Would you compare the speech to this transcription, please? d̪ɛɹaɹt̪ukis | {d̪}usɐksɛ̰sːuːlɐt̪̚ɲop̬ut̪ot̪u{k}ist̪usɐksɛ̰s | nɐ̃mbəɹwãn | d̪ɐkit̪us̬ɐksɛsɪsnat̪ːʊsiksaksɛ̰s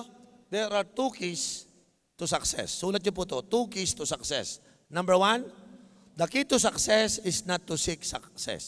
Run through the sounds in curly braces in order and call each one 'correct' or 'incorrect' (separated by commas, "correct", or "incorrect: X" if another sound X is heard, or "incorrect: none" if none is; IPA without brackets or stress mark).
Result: incorrect: t̪, correct